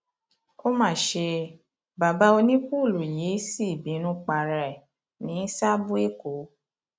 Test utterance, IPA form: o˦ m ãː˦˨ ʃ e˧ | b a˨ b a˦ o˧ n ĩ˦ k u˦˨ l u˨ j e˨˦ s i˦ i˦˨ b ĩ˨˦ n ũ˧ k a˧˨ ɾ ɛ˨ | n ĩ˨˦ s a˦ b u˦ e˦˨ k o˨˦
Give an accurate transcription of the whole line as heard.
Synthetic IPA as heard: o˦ m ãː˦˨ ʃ e˧ | b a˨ b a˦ o˧ n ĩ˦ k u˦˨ l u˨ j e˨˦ s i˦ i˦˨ b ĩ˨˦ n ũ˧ k͡p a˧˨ ɾ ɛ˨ | n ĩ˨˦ s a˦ b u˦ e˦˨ k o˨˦